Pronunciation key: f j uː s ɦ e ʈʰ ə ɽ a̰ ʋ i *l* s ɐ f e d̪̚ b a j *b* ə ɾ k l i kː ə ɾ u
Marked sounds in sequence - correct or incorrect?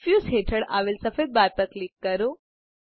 correct, incorrect: p

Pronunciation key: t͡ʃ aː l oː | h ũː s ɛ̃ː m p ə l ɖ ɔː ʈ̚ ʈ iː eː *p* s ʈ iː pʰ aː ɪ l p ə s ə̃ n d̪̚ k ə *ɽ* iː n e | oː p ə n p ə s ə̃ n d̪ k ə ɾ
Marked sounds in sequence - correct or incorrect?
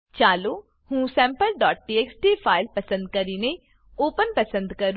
incorrect: k, incorrect: ɾ

